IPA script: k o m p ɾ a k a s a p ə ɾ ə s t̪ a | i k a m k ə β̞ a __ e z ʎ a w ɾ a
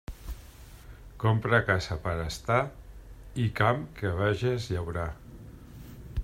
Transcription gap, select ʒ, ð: ʒ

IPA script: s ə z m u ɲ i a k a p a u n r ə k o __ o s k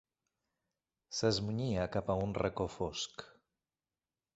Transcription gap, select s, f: f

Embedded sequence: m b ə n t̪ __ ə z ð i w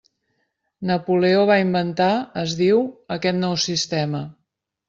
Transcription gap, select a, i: a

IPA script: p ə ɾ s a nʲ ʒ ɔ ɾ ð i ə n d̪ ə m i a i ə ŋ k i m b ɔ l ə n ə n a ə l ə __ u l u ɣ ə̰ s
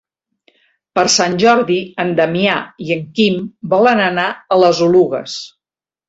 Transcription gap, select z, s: z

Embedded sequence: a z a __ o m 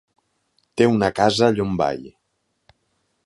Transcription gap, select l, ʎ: ʎ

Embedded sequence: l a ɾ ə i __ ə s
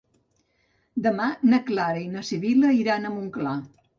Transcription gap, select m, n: n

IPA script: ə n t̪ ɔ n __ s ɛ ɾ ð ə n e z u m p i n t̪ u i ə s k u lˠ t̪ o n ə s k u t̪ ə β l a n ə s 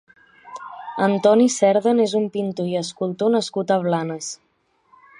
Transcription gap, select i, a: i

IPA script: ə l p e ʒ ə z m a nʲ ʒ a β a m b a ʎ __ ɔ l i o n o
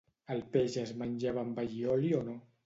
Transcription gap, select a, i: i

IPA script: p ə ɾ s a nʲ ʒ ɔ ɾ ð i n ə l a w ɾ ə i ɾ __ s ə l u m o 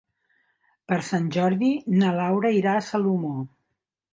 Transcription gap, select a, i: a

